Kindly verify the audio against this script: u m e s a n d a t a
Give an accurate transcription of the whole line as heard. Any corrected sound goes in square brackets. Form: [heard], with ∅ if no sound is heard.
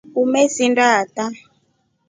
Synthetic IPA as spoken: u m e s [i] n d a t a